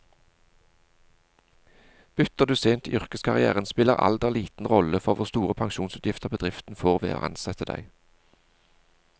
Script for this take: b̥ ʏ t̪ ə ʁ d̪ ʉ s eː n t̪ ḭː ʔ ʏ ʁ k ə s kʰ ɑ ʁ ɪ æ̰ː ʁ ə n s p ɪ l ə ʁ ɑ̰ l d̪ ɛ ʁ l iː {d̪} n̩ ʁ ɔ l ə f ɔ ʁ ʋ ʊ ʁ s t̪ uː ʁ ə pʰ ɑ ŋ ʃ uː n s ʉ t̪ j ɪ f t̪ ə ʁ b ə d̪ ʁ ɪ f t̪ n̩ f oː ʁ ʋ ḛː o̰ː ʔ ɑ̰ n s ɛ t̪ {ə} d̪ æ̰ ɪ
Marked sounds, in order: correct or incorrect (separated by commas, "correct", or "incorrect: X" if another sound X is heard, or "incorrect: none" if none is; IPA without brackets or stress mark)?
incorrect: t̪, correct